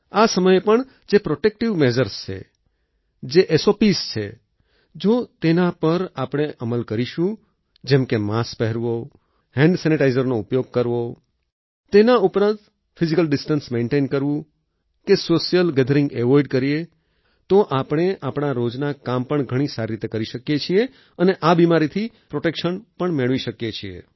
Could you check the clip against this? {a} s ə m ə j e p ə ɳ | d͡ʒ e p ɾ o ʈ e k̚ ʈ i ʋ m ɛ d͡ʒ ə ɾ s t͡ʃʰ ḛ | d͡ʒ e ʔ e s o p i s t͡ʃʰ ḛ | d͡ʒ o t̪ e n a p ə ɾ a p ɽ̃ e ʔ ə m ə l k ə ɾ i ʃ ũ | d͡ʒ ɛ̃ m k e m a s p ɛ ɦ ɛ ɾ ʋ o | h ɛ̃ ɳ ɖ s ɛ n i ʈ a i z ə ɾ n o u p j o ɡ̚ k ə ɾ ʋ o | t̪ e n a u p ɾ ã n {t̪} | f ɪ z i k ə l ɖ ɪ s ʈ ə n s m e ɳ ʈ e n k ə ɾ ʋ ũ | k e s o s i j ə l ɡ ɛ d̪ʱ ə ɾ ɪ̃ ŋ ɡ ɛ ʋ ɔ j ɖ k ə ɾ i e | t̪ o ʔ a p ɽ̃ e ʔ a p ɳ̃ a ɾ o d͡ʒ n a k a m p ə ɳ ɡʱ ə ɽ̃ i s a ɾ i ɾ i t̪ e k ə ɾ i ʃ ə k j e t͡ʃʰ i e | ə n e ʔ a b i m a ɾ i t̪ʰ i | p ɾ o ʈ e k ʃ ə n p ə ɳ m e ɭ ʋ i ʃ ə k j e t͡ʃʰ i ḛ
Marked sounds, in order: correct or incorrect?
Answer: correct, correct

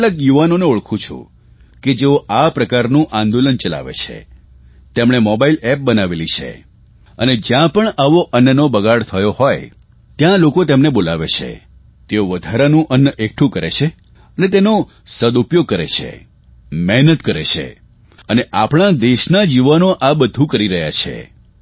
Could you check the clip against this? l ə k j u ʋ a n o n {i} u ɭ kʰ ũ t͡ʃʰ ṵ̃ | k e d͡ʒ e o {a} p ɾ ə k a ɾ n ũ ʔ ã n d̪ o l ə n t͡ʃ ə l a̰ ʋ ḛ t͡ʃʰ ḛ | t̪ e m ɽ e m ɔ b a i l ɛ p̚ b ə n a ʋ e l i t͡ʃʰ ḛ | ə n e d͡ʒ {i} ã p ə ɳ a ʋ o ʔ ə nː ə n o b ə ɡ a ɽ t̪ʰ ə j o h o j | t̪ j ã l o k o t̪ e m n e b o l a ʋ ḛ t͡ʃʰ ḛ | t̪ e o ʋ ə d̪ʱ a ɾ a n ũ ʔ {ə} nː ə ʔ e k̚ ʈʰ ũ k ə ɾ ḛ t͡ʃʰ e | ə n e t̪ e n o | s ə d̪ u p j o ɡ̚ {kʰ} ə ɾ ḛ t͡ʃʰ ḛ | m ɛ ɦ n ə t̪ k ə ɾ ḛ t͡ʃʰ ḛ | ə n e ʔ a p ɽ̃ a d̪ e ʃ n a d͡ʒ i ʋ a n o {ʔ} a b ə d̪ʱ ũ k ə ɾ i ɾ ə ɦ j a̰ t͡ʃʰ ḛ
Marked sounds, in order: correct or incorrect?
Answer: incorrect, correct, incorrect, correct, incorrect, correct

